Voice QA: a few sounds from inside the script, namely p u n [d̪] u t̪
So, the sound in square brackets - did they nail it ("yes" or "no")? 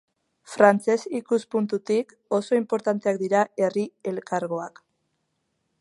no